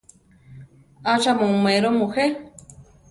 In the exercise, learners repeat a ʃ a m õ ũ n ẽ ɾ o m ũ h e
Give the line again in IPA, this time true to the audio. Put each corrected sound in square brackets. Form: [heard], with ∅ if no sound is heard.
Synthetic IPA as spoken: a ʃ a m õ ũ [m] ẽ ɾ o m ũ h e